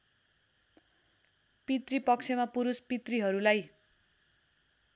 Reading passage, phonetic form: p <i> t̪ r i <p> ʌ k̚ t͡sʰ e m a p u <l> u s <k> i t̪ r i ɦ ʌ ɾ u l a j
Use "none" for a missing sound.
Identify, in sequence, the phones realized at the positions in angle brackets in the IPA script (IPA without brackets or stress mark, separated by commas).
i, p, ɾ, p